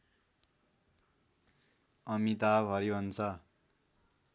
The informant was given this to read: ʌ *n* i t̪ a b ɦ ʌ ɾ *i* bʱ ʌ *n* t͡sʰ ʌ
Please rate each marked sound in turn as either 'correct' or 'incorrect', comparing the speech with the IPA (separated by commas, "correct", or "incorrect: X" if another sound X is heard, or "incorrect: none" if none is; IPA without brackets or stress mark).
incorrect: m, correct, correct